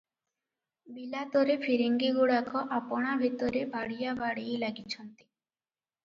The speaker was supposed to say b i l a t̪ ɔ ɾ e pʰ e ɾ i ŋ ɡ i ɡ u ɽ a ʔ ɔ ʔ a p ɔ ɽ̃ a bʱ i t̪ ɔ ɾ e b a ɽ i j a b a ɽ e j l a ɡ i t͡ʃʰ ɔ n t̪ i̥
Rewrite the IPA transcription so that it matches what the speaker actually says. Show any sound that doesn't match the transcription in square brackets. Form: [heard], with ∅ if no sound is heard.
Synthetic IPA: b i l a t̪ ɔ ɾ e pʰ [i] ɾ i ŋ ɡ i ɡ u ɽ a [k] ɔ ʔ a p ɔ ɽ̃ a bʱ i t̪ ɔ ɾ e b a ɽ i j a b a ɽ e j l a ɡ i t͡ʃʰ ɔ n t̪ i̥